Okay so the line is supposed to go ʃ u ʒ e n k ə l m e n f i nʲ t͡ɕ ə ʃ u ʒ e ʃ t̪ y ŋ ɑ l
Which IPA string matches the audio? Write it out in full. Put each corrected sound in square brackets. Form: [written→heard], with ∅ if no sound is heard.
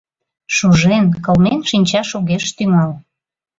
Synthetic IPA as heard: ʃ u ʒ e n k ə l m e n [f→ʃ] i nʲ t͡ɕ [ə→ɑ] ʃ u [ʒ→ɣ] e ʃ t̪ y ŋ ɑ l